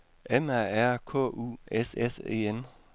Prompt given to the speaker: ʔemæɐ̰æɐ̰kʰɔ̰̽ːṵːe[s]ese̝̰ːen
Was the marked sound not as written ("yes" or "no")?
no